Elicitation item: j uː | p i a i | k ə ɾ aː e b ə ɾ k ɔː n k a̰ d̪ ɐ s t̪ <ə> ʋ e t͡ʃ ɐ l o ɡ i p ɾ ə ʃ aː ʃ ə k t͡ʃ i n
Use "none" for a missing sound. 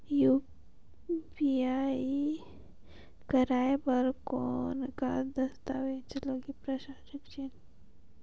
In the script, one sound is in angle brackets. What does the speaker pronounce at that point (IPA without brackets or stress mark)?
a